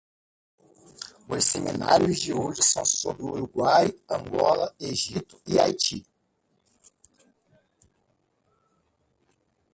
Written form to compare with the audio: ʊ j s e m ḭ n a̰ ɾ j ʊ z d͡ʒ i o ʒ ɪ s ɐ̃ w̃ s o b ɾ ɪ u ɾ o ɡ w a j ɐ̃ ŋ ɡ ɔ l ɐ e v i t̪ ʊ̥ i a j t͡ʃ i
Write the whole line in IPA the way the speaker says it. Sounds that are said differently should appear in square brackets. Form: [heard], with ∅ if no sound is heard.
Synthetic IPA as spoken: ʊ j s e m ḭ n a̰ ɾ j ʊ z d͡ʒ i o ʒ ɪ s ɐ̃ w̃ s o b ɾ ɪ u ɾ [u] ɡ w a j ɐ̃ ŋ ɡ ɔ l ɐ e [ʒ] i t̪ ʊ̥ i a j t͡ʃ i